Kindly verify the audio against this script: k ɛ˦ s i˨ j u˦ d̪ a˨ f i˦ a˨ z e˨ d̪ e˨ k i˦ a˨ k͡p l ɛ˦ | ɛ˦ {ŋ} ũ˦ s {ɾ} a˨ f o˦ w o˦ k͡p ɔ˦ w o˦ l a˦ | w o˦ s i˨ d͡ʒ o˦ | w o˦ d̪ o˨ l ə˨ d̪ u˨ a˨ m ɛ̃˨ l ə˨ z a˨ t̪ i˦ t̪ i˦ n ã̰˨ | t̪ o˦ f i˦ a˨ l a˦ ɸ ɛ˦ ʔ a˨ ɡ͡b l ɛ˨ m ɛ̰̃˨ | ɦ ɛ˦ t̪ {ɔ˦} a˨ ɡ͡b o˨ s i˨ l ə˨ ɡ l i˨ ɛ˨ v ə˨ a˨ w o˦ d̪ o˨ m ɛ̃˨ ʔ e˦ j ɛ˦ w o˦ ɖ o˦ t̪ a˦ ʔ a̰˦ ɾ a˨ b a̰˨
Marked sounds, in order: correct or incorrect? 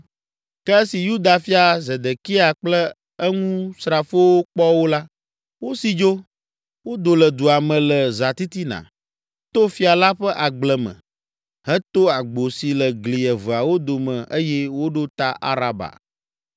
correct, correct, incorrect: o˦

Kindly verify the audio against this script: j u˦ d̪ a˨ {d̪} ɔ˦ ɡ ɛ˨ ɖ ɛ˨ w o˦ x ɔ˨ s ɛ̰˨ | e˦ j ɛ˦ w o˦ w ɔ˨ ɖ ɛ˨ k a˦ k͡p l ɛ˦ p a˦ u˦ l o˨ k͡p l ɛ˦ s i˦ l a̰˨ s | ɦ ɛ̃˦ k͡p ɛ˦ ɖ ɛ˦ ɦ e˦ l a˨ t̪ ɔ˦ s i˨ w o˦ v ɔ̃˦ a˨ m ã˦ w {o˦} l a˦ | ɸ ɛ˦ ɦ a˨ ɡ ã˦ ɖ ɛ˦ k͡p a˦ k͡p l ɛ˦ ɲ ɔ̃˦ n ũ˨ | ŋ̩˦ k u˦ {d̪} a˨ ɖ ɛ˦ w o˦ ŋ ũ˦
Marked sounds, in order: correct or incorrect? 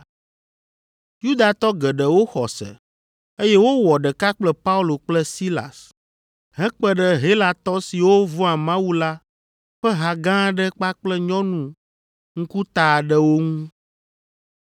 incorrect: t̪, incorrect: u˦, incorrect: t̪

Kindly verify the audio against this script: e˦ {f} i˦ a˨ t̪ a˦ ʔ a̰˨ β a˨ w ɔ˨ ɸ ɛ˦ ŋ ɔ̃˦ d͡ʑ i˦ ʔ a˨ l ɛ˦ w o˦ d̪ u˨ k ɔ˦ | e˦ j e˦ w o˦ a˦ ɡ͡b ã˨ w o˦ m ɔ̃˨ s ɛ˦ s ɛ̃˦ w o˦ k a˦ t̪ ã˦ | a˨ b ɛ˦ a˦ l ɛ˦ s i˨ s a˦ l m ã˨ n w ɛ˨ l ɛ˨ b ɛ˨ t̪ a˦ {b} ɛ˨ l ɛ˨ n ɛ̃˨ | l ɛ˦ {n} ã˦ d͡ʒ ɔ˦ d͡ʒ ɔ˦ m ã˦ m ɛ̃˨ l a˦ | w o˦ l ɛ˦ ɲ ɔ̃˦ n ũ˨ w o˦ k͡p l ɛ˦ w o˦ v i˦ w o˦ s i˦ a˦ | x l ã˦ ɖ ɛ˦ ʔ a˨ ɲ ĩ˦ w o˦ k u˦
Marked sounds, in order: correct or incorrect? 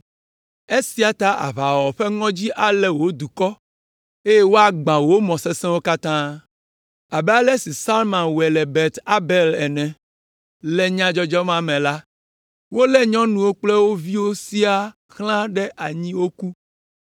incorrect: s, correct, incorrect: ɲ

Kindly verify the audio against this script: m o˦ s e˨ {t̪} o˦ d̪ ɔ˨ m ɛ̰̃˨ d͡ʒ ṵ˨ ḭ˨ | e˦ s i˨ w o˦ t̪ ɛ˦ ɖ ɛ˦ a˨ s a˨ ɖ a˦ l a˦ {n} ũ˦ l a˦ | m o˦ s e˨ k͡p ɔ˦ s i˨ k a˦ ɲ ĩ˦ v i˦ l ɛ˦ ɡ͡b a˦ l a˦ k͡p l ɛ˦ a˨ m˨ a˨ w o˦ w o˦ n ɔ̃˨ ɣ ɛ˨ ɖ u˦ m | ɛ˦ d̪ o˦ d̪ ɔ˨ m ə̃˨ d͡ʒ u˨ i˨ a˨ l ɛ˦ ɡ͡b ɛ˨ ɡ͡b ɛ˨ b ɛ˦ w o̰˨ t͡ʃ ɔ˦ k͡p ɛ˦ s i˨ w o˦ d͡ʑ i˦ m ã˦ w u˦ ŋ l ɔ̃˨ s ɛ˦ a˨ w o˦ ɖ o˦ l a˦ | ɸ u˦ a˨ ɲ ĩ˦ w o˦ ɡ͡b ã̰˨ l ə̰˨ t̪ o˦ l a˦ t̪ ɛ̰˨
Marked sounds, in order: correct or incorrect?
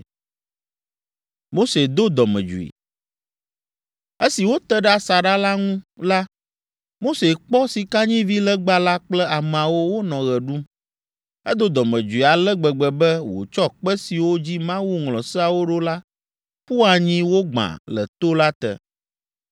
incorrect: d̪, incorrect: ŋ

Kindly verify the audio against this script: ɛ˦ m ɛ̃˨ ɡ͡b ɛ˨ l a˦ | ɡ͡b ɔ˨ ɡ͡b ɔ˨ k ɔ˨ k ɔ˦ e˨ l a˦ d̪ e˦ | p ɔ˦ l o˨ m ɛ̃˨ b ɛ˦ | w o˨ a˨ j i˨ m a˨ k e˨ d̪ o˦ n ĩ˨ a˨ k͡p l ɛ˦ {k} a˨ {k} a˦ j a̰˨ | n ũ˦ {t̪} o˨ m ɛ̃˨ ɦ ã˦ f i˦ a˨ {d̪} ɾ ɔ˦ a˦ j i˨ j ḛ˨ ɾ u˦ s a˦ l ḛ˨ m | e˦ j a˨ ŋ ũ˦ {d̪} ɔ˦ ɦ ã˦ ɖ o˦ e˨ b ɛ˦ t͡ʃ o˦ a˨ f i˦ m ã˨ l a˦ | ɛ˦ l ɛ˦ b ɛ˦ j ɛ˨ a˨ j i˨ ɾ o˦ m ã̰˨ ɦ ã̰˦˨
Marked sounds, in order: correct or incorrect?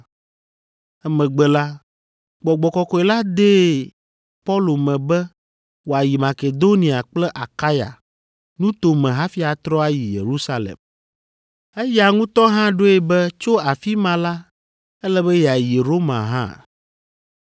incorrect: ʔ, correct, correct, incorrect: t̪, incorrect: t̪

